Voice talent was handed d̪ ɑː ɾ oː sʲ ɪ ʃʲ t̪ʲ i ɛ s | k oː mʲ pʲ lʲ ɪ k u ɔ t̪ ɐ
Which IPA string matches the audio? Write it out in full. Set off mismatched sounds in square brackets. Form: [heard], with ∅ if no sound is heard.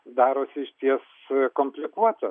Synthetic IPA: d̪ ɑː ɾ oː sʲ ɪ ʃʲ t̪ʲ i ɛ s | k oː mʲ pʲ lʲ ɪ k u ɔ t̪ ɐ